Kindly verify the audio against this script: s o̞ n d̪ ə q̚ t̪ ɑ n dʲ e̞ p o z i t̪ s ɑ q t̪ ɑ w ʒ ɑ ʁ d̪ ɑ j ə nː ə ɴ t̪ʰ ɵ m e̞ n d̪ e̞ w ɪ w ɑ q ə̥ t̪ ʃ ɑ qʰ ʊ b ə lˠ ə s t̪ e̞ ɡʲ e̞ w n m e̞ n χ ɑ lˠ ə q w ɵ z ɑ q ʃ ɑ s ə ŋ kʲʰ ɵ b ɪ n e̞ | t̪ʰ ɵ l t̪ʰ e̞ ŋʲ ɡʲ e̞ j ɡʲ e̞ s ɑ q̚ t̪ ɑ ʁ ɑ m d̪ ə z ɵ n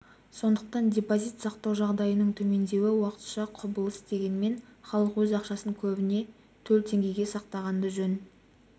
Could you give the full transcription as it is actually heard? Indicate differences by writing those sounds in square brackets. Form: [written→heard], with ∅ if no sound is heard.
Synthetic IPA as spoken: s o̞ n d̪ ə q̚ t̪ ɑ n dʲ e̞ p o z i t̪ s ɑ q t̪ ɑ w ʒ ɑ ʁ d̪ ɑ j ə [nː→n] ə ɴ t̪ʰ ɵ m e̞ n d̪ e̞ w ɪ w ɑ q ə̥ t̪ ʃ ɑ qʰ ʊ b ə lˠ ə s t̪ e̞ ɡʲ e̞ [w→∅] n m e̞ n χ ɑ lˠ ə q w ɵ z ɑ q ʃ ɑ s ə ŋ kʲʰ ɵ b ɪ n e̞ | t̪ʰ ɵ l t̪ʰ e̞ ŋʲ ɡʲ e̞ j ɡʲ e̞ s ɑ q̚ t̪ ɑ ʁ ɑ [m→n] d̪ ə [z→ʒ] ɵ n